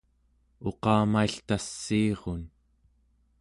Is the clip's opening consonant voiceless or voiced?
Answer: voiceless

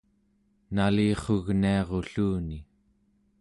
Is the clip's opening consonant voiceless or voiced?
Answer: voiced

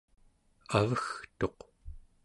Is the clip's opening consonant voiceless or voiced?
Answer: voiced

